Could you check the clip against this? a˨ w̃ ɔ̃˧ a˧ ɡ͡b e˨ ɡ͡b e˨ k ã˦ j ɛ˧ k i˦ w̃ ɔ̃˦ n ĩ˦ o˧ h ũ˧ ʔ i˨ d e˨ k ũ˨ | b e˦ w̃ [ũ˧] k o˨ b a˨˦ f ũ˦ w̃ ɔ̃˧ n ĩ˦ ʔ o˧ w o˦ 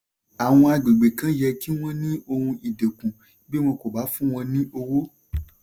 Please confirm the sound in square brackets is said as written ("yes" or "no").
no